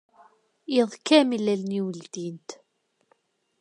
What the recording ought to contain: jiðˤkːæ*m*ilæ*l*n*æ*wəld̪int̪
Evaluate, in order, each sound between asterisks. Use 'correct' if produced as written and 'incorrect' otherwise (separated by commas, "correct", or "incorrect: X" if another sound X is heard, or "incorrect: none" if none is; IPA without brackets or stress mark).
correct, correct, incorrect: i